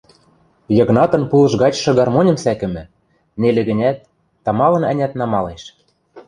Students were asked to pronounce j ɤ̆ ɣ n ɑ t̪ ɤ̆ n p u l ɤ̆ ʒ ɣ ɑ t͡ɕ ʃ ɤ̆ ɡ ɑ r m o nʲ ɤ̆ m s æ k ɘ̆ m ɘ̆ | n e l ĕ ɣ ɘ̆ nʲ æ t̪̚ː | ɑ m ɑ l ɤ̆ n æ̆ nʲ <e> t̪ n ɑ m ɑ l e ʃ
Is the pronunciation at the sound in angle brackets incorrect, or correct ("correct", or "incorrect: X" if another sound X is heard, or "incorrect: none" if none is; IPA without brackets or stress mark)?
incorrect: æ